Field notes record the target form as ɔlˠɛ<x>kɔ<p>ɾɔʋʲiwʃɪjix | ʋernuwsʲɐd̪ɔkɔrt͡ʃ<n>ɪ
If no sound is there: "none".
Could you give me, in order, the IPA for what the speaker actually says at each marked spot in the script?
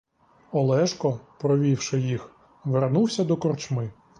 ʃ, p, m

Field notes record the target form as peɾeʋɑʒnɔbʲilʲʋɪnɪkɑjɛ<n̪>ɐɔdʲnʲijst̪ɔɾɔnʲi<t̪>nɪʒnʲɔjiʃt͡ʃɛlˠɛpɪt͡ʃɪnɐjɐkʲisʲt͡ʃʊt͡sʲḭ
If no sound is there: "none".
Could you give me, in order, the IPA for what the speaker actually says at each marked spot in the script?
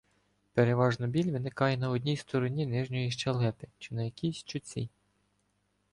n̪, none

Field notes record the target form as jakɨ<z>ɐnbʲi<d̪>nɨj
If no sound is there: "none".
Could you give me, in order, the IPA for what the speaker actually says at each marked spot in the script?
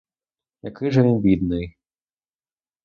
ʐ, d̪

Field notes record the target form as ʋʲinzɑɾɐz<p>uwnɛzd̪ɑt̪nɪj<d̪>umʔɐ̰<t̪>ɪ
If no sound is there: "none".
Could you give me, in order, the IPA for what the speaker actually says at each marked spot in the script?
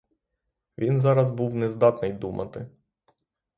b, d̪, t̪

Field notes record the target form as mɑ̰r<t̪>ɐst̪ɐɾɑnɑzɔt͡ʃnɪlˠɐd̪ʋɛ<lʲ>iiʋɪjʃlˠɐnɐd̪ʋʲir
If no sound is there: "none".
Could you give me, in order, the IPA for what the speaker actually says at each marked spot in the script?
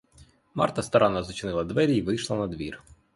t̪, ɾʲ

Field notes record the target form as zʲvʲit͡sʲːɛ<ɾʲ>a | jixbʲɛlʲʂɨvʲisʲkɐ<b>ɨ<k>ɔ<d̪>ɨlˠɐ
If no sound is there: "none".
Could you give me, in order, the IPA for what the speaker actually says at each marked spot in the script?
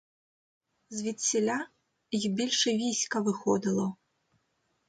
lʲ, v, x, d̪

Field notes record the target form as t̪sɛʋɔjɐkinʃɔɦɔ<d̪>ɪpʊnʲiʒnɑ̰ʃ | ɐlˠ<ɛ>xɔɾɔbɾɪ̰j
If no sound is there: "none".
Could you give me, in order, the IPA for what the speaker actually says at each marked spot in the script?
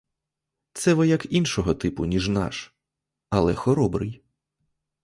t̪, ɛ

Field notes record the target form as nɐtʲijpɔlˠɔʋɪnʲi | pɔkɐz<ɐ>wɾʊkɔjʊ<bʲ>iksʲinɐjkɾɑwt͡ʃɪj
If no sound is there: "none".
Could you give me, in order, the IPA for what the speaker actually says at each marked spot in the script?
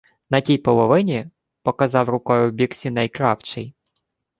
ɑ, bʲ

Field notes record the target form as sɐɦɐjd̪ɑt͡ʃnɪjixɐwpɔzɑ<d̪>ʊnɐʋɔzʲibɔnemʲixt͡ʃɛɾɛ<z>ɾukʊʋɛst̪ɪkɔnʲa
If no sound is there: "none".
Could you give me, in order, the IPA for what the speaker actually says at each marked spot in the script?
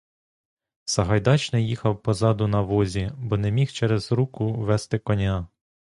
d̪, z

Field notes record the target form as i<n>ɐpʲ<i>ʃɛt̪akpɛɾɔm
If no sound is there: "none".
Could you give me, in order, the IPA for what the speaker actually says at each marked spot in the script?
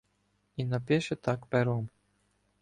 n, ɛ

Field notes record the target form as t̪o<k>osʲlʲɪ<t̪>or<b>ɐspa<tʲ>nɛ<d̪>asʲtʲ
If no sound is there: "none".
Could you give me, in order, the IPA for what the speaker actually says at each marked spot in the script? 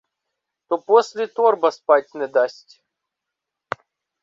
p, t̪, b, tʲ, d̪

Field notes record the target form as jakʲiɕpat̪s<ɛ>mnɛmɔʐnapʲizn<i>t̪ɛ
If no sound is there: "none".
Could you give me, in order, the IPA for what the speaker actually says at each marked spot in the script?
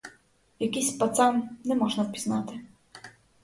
a, a

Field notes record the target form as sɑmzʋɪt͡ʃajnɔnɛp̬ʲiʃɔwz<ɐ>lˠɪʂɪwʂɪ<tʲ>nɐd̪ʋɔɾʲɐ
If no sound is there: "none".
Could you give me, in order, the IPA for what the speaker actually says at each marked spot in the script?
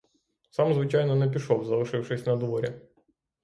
ɐ, sʲ

